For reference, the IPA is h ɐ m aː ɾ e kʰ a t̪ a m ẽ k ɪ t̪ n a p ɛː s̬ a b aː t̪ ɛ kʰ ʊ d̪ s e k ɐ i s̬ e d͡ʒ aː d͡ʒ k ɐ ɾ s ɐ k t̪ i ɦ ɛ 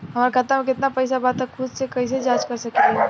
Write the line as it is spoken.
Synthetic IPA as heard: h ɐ m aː ɾ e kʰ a t̪ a m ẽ k ɪ t̪ n a p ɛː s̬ a b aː t̪ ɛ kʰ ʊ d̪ s e k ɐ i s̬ e d͡ʒ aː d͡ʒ k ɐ ɾ s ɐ k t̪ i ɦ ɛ

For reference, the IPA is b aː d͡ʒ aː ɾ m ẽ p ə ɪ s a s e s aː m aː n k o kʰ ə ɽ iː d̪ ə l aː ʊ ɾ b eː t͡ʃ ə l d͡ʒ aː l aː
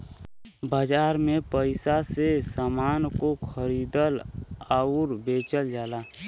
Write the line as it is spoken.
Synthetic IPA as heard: b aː d͡ʒ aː ɾ m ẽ p ə ɪ s a s e s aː m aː n k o kʰ ə ɾ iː d̪ ə l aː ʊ ɾ b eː t͡ʃ ə l d͡ʒ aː l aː

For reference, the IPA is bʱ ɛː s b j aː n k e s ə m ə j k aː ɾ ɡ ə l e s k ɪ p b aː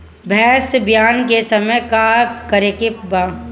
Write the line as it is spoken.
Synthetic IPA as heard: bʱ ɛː s b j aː n k e s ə m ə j k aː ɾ k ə ɾ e k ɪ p b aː

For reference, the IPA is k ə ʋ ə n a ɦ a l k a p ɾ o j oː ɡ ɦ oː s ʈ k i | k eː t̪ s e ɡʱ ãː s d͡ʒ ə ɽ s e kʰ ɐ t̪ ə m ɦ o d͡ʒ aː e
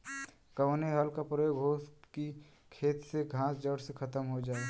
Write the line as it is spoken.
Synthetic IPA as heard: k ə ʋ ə n e ɦ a l k a p ɾ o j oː ɡ ɦ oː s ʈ k i | kʰ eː t̪ s e ɡʱ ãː s d͡ʒ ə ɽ s e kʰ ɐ t̪ ə m ɦ o d͡ʒ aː e

